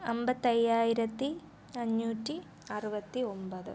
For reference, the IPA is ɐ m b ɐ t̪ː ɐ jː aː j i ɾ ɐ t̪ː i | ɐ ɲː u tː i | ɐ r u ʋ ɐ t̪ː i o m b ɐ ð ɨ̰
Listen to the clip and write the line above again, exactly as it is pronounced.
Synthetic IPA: ɐ m b ɐ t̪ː ɐ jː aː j i ɾ ɐ t̪ː i | ɐ ɲː uː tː i | ɐ r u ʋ ɐ t̪ː i o m b ɐ ð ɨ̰